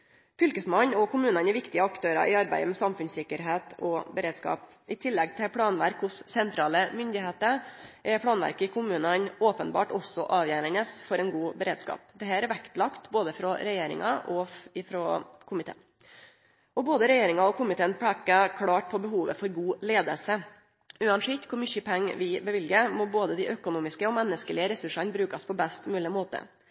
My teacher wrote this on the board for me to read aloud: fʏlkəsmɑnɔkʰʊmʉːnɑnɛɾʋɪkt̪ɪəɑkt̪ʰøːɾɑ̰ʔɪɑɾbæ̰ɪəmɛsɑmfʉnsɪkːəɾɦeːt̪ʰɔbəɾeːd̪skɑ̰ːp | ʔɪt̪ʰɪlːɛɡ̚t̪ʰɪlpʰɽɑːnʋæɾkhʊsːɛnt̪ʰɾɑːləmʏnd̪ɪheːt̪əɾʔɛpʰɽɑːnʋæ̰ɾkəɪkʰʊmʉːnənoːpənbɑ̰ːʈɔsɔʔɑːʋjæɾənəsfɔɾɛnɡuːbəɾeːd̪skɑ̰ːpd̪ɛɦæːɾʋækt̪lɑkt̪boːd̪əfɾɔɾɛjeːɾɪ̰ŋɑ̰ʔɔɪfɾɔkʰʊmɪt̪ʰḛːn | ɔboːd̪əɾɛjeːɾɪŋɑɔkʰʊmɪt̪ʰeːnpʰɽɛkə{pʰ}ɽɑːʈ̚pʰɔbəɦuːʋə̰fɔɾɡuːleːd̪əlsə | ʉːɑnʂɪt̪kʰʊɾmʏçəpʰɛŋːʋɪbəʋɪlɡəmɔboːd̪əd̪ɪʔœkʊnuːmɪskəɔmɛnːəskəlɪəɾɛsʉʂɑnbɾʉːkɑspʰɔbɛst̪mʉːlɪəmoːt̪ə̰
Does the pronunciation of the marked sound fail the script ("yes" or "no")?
yes